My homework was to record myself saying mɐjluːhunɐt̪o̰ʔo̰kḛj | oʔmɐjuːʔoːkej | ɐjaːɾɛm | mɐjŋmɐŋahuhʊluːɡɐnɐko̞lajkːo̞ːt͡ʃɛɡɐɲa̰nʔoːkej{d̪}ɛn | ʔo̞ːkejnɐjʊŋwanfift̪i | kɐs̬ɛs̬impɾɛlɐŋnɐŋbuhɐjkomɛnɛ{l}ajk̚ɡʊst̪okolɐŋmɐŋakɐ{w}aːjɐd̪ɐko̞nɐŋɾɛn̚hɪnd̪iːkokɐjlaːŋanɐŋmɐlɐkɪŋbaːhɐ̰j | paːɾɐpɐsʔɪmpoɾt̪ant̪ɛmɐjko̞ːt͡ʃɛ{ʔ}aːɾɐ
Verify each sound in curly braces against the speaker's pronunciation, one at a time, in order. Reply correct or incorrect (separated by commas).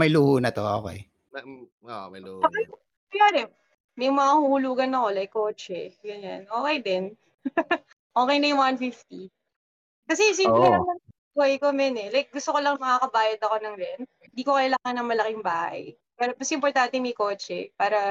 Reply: correct, correct, incorrect, incorrect